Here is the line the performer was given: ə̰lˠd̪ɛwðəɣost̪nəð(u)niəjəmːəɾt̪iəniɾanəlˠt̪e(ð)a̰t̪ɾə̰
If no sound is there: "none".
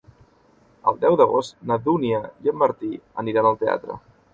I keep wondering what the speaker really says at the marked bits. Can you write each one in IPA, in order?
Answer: u, none

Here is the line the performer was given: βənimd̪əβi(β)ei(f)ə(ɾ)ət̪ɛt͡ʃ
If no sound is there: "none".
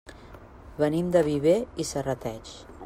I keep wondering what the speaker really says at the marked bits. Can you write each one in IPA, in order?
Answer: β, s, r

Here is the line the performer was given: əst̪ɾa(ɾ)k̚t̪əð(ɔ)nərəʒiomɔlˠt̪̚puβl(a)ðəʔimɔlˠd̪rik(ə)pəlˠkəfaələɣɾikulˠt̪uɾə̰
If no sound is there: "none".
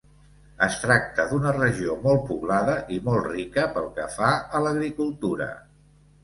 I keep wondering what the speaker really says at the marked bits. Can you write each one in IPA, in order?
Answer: none, u, a, ə

